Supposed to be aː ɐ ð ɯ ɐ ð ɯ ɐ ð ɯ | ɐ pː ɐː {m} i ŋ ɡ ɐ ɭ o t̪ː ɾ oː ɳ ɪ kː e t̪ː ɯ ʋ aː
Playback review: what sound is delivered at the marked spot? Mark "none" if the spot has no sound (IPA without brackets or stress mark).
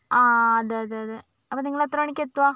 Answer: n